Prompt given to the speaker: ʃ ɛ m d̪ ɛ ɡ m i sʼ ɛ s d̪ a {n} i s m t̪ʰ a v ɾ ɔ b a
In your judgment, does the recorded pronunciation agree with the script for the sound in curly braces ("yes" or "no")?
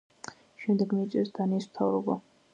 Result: yes